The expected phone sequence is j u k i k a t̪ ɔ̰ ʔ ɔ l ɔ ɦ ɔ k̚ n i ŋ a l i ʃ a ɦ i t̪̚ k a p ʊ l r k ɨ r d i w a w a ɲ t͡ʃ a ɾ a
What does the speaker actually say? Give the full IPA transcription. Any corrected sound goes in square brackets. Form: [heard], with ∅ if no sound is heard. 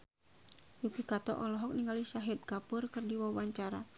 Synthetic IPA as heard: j u k i k a t̪ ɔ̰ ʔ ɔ l ɔ ɦ ɔ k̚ n i ŋ a l i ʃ a ɦ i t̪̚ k a p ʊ [∅] r k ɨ r d i w a w a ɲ t͡ʃ a ɾ a